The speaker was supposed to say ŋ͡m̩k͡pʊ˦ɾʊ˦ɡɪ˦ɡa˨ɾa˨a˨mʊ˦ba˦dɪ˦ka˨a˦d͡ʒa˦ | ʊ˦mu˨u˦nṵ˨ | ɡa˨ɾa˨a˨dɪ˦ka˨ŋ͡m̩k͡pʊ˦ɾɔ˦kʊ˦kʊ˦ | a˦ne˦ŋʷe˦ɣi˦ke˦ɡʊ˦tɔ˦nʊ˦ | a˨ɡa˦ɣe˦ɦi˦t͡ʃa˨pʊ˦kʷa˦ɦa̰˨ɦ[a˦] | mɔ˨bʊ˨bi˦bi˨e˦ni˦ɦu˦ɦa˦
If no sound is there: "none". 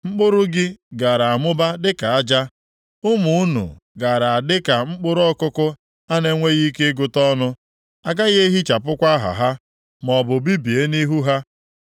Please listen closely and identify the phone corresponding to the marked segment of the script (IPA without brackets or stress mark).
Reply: a˦